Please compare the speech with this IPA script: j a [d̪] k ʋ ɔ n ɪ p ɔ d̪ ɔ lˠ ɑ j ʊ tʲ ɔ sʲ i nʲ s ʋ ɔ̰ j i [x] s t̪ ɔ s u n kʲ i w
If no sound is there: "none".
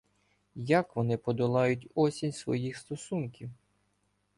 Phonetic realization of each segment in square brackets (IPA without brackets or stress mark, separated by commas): none, x